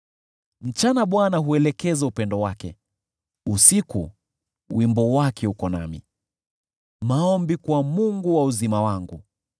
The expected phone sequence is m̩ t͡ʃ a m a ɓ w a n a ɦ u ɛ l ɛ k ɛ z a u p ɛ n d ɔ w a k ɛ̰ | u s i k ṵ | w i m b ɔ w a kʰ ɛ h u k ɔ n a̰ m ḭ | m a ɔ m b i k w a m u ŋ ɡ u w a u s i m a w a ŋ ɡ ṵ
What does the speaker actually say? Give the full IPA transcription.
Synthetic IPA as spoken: m̩ t͡ʃ a n a ɓ w a n a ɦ u ɛ l ɛ k ɛ z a u p ɛ n d ɔ w a k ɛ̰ | u s i k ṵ | w i m b ɔ w a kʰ ɛ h u k ɔ n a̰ m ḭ | m a ɔ m b i k w a m u ŋ ɡ u w a u z i m a w a ŋ ɡ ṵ